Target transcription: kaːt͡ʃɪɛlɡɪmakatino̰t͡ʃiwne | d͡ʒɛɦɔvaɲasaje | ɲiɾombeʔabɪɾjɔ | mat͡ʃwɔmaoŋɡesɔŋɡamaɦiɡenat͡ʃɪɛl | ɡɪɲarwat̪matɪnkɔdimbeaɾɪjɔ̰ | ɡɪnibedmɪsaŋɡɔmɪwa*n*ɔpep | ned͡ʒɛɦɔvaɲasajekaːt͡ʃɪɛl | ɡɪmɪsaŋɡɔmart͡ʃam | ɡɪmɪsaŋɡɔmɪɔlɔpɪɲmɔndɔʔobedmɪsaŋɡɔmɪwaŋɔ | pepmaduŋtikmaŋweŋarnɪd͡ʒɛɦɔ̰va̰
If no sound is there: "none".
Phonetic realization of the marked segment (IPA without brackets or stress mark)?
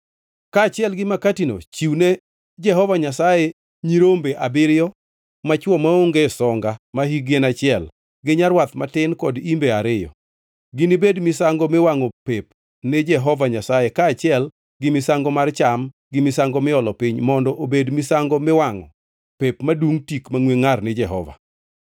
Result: ŋ